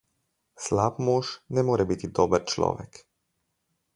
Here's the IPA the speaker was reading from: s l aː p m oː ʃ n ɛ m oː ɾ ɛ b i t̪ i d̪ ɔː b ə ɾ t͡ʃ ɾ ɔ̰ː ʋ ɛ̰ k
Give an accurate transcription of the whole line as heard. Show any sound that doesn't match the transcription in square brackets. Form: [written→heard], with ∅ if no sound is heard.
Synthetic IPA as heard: s l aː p m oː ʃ n ɛ m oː ɾ ɛ b i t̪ i d̪ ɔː b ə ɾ t͡ʃ [ɾ→l] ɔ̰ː ʋ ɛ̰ k